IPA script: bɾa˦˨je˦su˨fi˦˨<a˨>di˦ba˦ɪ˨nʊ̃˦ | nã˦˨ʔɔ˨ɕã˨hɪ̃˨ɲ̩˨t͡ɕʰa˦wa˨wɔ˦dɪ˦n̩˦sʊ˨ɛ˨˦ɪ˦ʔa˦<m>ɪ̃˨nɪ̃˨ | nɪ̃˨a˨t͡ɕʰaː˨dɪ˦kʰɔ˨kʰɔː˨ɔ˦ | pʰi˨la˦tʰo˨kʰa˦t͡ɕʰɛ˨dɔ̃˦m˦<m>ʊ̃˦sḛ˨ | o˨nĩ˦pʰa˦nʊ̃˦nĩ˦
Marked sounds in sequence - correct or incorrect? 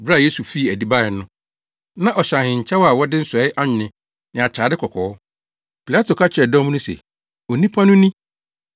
incorrect, incorrect, incorrect

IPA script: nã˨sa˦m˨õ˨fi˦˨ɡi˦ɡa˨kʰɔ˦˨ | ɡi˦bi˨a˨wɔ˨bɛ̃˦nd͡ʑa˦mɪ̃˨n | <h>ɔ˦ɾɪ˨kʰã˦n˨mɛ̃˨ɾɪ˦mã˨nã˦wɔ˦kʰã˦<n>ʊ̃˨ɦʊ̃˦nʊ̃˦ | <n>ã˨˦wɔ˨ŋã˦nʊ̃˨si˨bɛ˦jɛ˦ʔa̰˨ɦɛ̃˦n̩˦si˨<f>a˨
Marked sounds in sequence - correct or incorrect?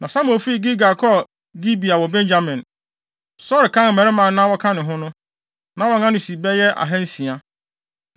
incorrect, correct, correct, incorrect

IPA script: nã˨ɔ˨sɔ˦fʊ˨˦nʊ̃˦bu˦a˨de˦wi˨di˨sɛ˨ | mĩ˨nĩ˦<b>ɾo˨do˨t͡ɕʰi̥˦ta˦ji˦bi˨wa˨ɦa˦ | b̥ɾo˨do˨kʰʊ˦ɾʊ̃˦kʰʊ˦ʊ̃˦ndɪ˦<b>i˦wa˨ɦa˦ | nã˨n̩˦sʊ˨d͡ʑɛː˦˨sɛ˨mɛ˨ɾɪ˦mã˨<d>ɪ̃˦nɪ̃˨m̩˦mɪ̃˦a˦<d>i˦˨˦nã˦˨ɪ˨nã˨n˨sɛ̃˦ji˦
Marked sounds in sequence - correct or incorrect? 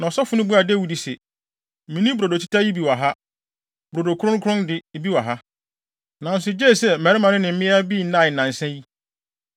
correct, correct, incorrect, incorrect

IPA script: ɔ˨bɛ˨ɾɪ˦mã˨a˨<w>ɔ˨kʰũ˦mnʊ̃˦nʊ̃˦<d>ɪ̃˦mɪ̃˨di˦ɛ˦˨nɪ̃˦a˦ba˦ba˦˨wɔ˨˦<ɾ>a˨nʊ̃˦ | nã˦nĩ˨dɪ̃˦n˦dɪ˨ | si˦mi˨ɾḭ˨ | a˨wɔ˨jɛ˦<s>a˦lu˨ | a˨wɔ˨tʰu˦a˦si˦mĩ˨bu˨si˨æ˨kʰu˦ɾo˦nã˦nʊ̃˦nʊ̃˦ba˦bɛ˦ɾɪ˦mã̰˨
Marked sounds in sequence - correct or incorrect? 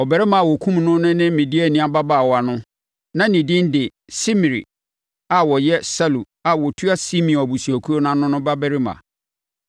correct, incorrect, incorrect, correct

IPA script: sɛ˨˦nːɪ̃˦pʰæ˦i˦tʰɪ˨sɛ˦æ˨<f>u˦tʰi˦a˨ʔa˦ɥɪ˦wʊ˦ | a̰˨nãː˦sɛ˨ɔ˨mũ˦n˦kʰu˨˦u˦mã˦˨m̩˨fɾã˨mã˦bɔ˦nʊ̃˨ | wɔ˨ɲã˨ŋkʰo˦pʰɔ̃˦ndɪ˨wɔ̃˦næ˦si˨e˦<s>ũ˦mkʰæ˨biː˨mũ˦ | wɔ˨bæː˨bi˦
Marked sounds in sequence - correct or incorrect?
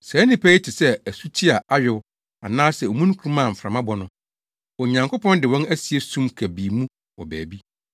incorrect, correct

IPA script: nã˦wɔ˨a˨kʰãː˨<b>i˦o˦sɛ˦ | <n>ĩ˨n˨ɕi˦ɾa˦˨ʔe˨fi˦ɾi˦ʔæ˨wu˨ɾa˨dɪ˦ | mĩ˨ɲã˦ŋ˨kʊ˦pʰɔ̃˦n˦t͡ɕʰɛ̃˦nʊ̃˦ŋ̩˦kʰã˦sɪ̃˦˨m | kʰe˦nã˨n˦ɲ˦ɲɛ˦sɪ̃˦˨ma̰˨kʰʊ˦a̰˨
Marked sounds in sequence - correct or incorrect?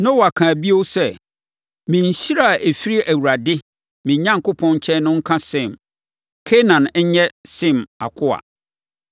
correct, incorrect

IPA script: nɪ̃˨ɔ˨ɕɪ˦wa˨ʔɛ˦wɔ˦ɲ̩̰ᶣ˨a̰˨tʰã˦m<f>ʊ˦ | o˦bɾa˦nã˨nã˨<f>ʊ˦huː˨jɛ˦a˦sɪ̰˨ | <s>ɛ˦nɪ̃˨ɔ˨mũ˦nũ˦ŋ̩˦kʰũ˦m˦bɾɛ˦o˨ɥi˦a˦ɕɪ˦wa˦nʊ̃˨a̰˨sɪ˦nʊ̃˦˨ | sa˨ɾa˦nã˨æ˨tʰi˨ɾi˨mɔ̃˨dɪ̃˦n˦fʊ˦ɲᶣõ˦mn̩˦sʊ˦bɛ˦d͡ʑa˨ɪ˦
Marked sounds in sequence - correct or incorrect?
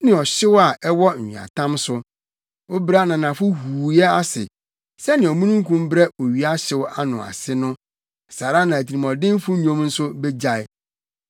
incorrect, correct, correct

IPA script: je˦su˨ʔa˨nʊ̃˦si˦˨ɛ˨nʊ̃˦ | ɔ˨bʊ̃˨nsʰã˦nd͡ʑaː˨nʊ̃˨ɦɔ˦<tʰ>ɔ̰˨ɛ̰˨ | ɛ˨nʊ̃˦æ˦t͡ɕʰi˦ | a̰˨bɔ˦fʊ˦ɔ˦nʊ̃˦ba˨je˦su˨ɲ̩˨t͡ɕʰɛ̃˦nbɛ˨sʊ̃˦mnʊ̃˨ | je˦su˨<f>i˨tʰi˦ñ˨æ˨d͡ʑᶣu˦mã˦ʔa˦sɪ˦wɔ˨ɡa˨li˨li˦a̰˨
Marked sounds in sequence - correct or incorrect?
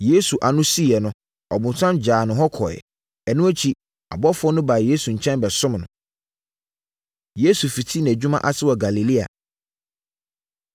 incorrect, correct

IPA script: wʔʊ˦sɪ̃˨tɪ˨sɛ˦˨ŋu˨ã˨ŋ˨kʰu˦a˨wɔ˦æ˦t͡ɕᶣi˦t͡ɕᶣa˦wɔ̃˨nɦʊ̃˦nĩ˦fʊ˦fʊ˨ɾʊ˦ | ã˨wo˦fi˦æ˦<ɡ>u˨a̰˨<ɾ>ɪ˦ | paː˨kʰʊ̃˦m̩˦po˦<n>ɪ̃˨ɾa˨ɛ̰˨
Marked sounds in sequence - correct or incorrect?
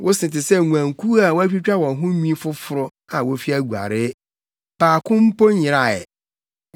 correct, correct, incorrect

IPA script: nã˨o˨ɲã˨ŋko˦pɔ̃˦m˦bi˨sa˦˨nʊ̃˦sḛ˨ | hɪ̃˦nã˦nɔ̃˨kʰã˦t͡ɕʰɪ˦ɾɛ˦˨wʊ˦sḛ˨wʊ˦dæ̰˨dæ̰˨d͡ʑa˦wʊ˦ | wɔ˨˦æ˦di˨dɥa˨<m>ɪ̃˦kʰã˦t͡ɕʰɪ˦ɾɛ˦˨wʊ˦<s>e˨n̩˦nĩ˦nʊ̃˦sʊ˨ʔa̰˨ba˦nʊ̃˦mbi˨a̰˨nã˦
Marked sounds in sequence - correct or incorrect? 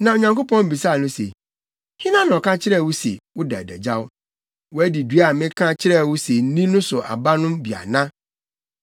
correct, correct

